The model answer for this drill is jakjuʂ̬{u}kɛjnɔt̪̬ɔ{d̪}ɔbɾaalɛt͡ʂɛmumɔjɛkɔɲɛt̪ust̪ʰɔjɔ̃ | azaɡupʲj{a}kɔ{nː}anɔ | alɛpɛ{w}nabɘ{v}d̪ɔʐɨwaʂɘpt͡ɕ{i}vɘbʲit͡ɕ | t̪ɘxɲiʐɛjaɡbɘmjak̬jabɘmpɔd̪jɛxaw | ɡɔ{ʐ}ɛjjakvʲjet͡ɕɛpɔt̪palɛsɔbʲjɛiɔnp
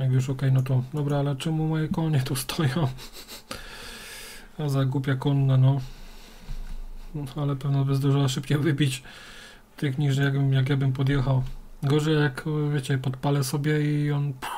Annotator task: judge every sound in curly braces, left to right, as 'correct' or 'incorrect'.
incorrect: ɔ, correct, correct, correct, incorrect: v, incorrect: z, incorrect: ɛ, correct

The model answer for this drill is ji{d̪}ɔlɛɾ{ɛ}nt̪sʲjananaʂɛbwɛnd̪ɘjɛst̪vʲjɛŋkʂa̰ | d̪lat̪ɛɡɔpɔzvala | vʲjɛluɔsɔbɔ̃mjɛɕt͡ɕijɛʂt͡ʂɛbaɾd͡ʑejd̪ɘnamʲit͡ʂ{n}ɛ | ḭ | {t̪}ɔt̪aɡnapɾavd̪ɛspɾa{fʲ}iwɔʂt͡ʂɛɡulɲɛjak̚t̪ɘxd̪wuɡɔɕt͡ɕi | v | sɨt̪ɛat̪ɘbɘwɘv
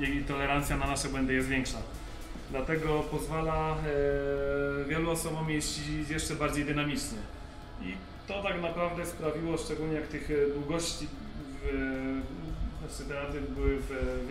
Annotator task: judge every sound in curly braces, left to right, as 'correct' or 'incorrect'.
incorrect: t̪, incorrect: a, incorrect: ɲ, correct, incorrect: vʲ

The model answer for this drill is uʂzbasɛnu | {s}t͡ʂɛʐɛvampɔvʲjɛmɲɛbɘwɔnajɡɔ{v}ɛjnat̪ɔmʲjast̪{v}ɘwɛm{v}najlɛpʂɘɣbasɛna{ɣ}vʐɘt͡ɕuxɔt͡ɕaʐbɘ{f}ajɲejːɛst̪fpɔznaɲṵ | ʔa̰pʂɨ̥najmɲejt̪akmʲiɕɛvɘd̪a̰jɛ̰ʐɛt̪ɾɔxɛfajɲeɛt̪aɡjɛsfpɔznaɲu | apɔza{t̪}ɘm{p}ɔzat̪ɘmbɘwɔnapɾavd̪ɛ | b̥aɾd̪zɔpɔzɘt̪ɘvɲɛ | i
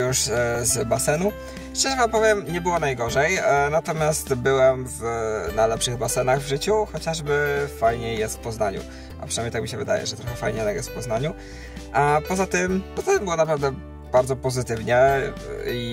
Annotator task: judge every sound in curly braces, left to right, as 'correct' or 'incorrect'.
incorrect: ʂ, incorrect: ʐ, incorrect: b, correct, correct, correct, correct, correct

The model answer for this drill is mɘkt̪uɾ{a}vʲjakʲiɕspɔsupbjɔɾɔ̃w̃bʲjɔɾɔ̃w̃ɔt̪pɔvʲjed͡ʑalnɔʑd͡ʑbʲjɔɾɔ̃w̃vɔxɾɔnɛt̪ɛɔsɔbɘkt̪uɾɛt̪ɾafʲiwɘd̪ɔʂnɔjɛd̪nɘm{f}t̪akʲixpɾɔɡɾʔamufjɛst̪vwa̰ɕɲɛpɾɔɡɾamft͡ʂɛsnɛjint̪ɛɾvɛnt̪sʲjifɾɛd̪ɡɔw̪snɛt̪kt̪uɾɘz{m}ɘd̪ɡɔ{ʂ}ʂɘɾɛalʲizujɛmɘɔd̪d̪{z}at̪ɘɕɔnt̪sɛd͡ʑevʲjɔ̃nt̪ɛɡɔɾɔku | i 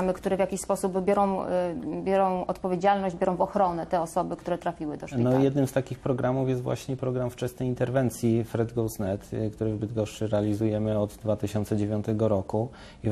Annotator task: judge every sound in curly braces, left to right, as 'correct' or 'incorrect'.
incorrect: ɛ, incorrect: s, incorrect: b, correct, incorrect: v

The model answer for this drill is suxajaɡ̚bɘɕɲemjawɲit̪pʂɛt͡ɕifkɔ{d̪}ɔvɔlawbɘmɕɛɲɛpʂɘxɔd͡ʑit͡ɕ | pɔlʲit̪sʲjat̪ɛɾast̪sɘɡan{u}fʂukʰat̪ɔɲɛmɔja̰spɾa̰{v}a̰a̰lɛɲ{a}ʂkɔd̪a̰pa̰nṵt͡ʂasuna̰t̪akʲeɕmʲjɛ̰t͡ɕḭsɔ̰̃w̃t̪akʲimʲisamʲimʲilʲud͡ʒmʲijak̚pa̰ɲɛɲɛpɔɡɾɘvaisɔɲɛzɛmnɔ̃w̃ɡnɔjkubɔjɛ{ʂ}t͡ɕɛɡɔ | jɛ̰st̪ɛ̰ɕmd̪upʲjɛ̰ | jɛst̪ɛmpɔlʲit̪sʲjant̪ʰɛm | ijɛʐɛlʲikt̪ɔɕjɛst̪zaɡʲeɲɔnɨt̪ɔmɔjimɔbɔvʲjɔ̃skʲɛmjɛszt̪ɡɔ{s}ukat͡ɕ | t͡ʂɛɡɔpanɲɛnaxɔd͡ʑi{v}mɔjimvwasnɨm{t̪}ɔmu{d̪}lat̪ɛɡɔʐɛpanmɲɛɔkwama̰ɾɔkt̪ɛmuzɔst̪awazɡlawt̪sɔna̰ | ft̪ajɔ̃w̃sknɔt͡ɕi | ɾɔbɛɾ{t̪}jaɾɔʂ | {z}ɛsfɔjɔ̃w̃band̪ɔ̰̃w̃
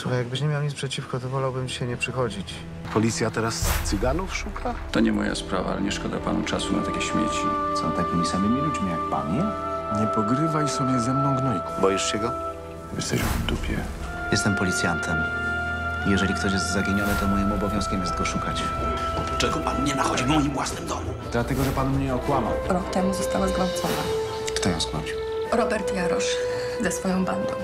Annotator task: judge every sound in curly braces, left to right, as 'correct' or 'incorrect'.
incorrect: t̪, correct, correct, incorrect: ɛ, correct, incorrect: ʂ, correct, incorrect: d̪, correct, correct, correct

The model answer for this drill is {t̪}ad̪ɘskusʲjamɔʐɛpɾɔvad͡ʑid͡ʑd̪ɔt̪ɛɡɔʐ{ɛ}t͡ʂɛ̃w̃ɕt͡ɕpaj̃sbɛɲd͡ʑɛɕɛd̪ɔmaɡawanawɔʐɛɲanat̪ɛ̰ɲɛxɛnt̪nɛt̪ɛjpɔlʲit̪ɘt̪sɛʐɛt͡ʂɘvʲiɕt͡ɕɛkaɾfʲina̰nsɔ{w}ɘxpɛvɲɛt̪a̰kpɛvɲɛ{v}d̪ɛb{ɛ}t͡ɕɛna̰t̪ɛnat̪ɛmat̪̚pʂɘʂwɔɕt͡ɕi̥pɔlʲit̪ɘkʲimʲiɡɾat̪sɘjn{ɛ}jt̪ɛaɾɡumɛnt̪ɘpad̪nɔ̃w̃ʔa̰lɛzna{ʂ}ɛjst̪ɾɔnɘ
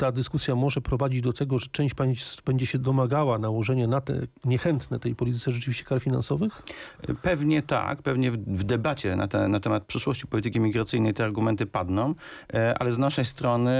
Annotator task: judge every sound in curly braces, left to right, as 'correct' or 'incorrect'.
correct, correct, incorrect: v, correct, incorrect: a, correct, correct

